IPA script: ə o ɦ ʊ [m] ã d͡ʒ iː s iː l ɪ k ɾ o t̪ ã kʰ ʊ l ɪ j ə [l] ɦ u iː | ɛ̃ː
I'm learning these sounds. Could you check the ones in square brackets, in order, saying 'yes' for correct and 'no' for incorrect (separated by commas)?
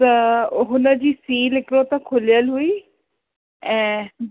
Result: no, yes